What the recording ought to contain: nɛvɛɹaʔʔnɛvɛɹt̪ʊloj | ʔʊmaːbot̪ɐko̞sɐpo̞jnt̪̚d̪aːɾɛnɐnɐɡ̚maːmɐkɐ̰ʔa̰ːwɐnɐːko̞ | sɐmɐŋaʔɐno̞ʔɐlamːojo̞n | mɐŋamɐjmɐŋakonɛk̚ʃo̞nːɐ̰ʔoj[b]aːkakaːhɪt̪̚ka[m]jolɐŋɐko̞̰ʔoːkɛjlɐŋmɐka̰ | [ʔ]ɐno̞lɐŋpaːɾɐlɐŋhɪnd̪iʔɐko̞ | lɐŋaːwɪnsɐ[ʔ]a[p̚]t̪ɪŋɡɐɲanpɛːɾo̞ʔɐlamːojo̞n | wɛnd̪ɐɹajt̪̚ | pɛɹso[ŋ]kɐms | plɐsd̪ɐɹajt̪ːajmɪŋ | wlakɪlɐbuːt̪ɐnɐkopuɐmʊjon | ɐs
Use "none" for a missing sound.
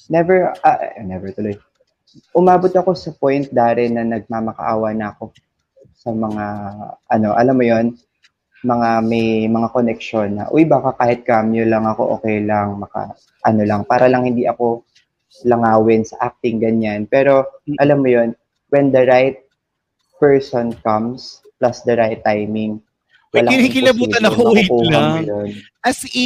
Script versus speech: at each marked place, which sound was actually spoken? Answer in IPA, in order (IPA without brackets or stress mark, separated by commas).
b, m, ʔ, ʔ, k̚, n